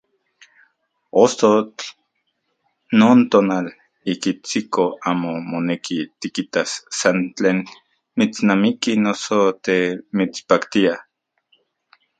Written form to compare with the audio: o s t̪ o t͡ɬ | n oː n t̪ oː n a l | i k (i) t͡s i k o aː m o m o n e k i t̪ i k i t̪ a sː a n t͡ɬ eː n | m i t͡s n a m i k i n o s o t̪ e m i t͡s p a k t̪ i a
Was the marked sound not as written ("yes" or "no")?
no